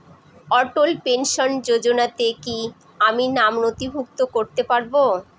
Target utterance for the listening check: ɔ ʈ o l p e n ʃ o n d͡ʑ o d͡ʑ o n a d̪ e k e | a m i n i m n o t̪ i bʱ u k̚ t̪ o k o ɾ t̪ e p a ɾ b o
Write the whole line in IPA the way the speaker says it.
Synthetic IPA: ɔ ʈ o l p e n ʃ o n d͡ʑ o d͡ʑ o n a t̪ e k i | a m i n a m n o t̪ i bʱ u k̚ t̪ o k o ɾ t̪ e p a ɾ b o